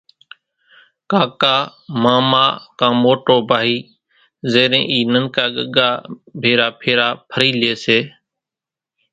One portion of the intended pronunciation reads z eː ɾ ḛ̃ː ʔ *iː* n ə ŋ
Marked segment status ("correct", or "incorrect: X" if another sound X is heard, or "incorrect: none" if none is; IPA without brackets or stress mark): correct